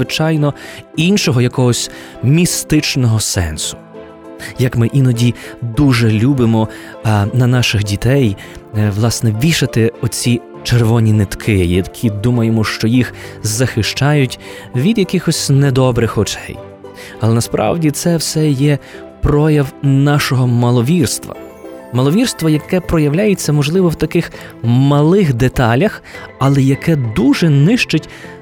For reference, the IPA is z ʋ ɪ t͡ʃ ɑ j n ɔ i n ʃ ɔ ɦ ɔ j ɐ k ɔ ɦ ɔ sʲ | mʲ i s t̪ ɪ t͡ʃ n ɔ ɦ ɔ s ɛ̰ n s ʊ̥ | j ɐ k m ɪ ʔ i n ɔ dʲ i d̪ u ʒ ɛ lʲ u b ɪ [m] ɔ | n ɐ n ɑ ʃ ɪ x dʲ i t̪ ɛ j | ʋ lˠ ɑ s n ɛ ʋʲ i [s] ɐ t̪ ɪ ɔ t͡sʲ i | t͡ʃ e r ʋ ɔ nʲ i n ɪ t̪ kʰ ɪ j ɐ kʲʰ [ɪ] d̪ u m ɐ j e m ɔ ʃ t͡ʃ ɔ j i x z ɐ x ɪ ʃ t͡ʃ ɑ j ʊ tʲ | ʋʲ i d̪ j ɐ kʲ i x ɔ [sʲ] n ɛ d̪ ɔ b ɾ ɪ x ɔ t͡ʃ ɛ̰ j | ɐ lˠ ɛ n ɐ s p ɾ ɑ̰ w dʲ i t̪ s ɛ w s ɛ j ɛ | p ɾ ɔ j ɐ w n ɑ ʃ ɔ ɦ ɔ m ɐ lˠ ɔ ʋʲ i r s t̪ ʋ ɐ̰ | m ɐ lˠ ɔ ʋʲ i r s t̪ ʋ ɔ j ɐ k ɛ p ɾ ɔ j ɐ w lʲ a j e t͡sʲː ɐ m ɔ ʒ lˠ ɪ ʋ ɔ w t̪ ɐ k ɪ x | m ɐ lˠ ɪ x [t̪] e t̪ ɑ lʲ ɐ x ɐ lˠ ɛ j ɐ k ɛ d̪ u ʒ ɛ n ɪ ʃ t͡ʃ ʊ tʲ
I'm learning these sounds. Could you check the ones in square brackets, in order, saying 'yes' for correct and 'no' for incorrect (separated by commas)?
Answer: yes, no, no, yes, no